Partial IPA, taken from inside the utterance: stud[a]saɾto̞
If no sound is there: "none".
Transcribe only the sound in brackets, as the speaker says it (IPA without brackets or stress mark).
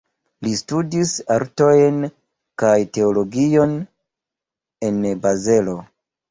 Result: i